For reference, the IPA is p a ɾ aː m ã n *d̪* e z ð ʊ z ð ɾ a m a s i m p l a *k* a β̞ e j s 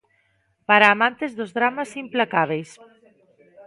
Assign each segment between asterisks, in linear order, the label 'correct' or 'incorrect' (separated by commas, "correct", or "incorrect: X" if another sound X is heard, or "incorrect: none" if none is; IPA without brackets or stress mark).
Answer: incorrect: t̪, correct